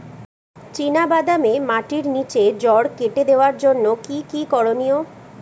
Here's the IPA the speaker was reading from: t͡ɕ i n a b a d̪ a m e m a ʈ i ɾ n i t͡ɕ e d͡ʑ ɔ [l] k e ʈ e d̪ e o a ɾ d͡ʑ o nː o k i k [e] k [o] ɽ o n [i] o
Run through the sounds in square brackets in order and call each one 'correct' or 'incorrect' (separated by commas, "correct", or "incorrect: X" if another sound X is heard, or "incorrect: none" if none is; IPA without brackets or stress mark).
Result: incorrect: ɽ, incorrect: i, incorrect: ɔ, correct